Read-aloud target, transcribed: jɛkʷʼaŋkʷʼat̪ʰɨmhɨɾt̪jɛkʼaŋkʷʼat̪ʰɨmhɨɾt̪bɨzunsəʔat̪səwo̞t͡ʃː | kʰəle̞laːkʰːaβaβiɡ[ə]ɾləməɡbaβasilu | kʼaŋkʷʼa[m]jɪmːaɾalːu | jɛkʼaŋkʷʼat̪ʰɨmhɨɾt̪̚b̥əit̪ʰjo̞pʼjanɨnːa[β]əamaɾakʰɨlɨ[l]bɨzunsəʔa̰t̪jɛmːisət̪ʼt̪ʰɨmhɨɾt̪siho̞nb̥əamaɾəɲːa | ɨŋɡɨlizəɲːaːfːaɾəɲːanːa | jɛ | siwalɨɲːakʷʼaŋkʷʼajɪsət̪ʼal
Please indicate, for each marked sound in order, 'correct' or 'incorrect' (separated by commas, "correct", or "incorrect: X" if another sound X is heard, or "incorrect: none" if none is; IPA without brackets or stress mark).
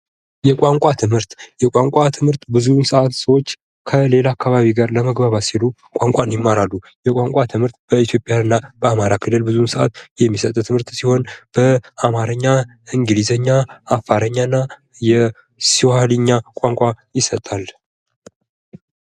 incorrect: a, incorrect: n, incorrect: b, correct